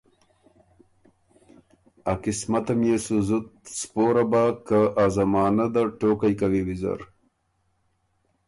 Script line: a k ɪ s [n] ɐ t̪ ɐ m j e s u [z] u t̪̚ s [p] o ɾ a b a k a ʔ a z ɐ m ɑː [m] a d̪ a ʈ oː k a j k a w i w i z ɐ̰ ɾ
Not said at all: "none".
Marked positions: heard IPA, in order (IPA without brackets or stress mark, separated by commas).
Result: m, z, p, n